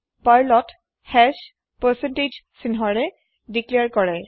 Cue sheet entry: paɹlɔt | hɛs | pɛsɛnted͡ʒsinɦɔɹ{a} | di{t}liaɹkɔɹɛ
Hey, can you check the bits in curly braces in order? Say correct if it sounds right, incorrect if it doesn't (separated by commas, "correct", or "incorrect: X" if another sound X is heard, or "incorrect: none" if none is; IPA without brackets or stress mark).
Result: incorrect: ɛ, incorrect: k